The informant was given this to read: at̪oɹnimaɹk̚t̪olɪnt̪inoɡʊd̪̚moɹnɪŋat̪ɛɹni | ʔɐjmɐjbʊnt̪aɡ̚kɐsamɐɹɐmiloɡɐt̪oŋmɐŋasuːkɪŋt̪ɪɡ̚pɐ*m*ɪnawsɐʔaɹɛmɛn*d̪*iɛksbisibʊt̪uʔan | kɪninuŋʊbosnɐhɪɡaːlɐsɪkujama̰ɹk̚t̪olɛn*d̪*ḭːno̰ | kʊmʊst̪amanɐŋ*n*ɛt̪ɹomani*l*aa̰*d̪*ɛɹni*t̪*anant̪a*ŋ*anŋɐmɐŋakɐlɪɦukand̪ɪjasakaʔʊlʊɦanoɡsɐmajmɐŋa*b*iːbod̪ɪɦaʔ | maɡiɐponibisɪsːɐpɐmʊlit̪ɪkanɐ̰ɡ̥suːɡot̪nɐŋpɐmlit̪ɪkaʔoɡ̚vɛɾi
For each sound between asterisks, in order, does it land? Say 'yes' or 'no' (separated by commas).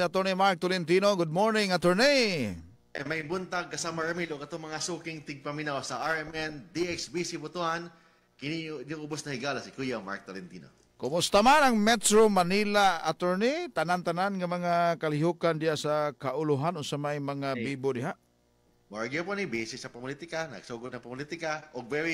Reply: yes, yes, no, no, yes, no, yes, no, yes